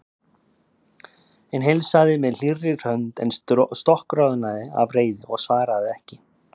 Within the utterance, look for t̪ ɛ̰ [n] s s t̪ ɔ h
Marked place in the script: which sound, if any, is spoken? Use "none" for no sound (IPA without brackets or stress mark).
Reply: n